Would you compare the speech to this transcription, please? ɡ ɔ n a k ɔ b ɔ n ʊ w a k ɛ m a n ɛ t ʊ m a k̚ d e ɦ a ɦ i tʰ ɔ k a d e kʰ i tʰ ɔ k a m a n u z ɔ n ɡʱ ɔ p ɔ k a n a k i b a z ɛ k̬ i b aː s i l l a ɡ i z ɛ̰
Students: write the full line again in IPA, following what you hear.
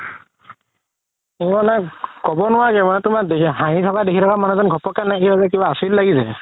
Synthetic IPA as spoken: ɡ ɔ n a k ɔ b ɔ n ʊ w a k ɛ m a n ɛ t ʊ m a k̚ d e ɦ a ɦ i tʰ ɔ k a d e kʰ i tʰ ɔ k a m a n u z ɔ n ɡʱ ɔ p ɔ k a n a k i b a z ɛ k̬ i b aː s i l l a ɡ i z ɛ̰